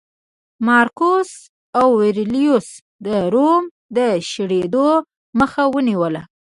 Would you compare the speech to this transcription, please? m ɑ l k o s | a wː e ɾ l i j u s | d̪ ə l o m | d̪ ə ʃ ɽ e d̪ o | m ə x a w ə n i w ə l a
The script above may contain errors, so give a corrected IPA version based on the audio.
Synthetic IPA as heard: m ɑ ɾ k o s | a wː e ɾ l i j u s | d̪ ə ɾ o m | d̪ ə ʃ ɽ e d̪ o | m ə x a w ə n i w ə l a